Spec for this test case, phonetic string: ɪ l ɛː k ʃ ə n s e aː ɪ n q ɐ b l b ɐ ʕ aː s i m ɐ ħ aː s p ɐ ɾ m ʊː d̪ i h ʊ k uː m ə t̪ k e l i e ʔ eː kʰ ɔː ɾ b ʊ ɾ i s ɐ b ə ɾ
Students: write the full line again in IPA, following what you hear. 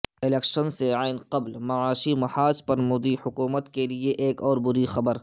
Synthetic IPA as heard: ɪ l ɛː k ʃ ə n s e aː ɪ n q ɐ b l m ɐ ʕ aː ʃ i m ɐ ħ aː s p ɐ ɾ m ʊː d̪ i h ʊ k uː m ə t̪ k e l i e ʔ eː k ɔː ɾ b ʊ ɾ i x ɐ b ə ɾ